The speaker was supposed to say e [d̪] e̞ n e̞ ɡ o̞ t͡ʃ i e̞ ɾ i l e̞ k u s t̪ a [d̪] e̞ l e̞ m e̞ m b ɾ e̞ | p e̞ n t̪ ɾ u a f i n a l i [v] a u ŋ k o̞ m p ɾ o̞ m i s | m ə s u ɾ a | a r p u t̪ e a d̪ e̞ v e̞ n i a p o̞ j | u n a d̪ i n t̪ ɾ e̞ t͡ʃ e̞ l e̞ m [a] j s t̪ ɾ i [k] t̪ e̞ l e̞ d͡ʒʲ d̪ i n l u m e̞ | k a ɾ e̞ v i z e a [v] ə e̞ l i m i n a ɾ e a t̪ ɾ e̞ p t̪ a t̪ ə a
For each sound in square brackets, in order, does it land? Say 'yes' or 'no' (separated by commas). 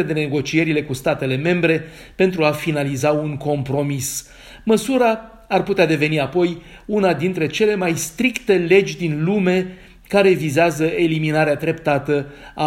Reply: yes, no, no, yes, yes, no